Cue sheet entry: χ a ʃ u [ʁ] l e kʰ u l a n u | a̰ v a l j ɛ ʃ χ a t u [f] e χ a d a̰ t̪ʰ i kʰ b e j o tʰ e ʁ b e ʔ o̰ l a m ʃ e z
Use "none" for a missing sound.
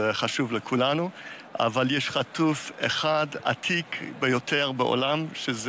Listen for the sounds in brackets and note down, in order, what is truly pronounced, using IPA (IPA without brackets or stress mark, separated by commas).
v, f